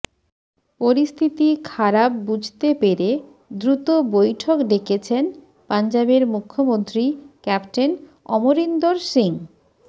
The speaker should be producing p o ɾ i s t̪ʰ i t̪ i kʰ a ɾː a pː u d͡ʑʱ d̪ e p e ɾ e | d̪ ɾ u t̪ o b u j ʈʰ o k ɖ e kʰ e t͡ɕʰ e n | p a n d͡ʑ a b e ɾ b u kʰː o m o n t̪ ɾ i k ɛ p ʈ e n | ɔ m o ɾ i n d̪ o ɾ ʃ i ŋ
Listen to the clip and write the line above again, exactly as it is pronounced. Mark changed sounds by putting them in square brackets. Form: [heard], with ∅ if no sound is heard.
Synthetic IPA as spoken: p o ɾ i s t̪ʰ i t̪ i kʰ a [ɾ] a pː u d͡ʑʱ [t̪] e p e ɾ e | d̪ ɾ u t̪ o b [o] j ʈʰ o k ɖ e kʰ e t͡ɕʰ e n | p a n d͡ʑ a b e ɾ [m] u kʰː o m o n t̪ ɾ i k ɛ p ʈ e n | ɔ m o ɾ i n d̪ o ɾ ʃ i ŋ